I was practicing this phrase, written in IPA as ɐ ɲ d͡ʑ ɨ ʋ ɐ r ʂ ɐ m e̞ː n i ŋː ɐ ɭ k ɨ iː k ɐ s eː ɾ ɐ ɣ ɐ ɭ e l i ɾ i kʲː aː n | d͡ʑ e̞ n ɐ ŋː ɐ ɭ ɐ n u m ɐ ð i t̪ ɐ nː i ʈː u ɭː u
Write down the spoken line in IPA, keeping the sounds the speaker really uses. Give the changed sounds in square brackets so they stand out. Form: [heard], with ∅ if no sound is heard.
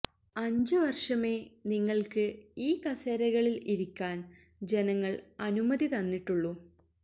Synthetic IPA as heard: ɐ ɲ d͡ʑ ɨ ʋ ɐ r ʂ ɐ m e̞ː n i ŋː ɐ ɭ k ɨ iː k ɐ s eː ɾ ɐ ɣ ɐ ɭ [i] l i ɾ i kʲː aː n | d͡ʑ e̞ n ɐ ŋː ɐ ɭ ɐ n u m ɐ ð i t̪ ɐ nː i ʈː u ɭː u